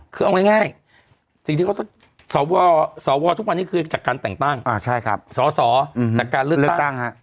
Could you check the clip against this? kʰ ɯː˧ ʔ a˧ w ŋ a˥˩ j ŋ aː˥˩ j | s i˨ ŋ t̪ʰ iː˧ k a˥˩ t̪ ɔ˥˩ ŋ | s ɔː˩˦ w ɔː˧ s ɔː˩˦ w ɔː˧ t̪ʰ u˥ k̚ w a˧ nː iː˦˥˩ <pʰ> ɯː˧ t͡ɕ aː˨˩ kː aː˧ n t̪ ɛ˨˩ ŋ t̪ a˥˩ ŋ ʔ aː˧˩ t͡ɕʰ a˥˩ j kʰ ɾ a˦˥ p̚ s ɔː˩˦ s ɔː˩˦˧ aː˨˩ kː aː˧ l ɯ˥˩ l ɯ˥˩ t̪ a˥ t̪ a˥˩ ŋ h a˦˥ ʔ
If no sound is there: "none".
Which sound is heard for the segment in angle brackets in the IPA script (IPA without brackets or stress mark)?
kʰ